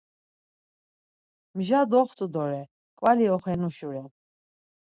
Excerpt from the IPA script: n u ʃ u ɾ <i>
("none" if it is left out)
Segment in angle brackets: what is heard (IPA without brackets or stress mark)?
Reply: ɛ